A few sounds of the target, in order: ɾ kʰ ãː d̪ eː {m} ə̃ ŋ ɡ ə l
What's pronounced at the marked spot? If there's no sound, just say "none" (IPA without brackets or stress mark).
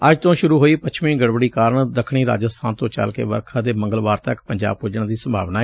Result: m